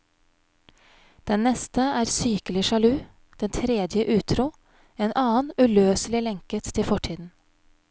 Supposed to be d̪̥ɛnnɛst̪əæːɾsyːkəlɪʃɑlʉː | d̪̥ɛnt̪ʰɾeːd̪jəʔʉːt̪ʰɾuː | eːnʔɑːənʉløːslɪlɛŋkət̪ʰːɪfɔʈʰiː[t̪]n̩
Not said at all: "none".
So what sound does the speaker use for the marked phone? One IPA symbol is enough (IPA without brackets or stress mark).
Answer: d̪